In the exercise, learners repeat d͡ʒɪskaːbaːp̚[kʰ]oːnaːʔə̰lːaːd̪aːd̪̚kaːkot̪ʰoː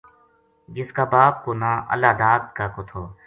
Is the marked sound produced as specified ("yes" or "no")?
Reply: no